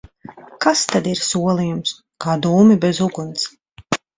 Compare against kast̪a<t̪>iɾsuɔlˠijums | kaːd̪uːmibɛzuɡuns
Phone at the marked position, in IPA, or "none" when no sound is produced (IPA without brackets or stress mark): d̪